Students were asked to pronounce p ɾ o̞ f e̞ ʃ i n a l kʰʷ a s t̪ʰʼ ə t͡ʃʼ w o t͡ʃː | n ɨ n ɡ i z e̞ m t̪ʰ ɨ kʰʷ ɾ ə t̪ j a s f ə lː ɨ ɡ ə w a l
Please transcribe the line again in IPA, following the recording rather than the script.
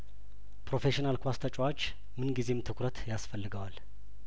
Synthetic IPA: p ɾ o̞ f e̞ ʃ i n a l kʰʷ a s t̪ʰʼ ə t͡ʃʼ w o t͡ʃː | m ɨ n ɡ i z e̞ m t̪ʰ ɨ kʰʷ ɾ ə t̪ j a s f ə lː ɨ ɡ ə w a l